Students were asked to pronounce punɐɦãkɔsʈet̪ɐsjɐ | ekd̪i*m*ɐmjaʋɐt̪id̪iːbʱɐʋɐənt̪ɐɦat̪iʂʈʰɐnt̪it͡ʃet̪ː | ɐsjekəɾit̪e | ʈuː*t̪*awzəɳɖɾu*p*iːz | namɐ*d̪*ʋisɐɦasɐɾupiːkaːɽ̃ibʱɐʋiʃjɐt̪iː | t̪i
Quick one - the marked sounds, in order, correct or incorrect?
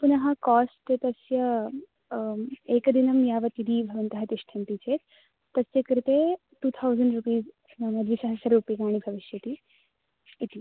incorrect: n, incorrect: t̪ʰ, correct, correct

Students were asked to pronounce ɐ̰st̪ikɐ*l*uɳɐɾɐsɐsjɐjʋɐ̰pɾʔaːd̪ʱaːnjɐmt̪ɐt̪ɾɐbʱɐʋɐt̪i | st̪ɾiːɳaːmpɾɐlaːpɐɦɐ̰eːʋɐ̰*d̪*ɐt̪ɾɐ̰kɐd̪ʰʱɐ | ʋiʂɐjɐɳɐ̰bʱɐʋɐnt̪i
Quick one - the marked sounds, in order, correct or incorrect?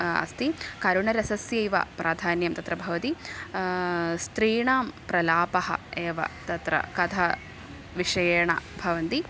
incorrect: ɾ, incorrect: t̪

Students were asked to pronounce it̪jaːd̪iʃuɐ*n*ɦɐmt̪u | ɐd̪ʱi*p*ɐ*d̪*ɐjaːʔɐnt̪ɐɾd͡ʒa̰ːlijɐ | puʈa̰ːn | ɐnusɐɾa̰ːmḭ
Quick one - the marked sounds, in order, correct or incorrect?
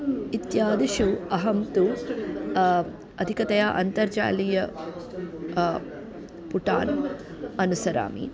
incorrect: none, incorrect: k, incorrect: t̪

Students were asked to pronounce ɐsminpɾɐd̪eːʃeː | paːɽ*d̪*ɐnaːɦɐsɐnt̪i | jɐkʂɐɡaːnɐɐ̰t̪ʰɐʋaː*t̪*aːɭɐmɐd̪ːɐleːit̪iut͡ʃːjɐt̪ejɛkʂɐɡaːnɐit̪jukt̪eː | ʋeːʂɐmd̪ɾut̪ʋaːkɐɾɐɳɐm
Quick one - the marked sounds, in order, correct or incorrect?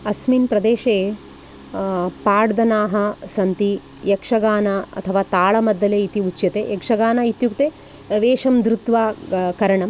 correct, correct

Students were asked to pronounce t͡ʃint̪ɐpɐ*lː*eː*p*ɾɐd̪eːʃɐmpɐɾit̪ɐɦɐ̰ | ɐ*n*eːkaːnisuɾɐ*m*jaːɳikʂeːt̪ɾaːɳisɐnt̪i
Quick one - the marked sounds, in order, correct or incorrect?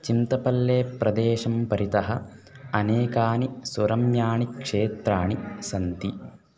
correct, correct, correct, correct

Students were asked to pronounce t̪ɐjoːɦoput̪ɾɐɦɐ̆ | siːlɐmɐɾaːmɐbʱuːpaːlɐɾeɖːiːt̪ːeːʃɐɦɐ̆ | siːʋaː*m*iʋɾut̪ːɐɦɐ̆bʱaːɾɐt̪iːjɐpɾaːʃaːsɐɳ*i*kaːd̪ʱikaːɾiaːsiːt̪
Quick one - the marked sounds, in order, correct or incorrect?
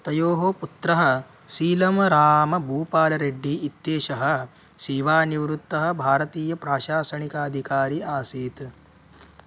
incorrect: n, correct

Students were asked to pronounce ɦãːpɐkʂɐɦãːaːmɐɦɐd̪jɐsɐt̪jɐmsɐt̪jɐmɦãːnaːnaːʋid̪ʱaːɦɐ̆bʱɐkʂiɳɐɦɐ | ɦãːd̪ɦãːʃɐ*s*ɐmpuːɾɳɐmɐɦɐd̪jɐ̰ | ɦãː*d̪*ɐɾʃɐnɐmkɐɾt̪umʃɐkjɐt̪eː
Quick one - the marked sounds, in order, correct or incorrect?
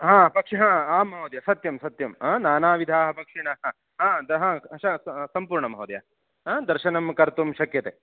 correct, correct

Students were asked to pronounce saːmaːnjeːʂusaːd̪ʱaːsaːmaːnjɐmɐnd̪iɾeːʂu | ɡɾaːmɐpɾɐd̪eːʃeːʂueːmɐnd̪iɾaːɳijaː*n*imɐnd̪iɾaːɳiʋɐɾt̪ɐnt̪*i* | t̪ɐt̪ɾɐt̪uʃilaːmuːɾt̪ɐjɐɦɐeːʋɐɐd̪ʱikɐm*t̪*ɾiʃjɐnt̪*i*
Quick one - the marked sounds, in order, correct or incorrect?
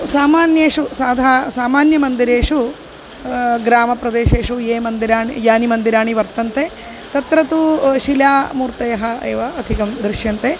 correct, incorrect: e, incorrect: d̪, incorrect: e

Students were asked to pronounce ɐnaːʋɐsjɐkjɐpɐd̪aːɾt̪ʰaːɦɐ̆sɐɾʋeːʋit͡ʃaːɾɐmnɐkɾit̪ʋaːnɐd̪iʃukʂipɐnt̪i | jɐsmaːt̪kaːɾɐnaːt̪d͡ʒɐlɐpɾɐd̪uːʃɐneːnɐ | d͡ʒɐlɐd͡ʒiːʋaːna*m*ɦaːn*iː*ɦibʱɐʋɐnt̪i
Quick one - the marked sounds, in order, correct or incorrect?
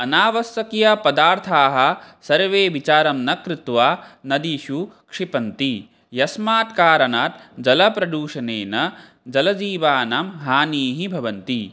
correct, correct

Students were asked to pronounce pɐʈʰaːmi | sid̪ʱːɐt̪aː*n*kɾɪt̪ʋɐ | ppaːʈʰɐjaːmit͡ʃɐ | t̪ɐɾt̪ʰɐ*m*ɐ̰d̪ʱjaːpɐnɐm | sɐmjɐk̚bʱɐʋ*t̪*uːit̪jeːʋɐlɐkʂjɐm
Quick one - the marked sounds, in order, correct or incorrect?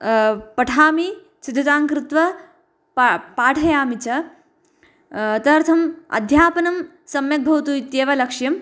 incorrect: ŋ, correct, correct

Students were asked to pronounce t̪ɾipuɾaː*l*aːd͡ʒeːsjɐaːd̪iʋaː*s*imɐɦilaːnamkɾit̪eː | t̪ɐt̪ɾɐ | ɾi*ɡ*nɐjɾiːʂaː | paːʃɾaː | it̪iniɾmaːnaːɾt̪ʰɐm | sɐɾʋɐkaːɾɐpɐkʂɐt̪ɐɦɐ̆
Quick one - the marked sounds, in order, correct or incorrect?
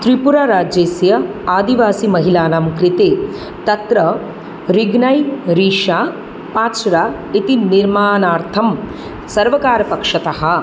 incorrect: ɾ, correct, correct

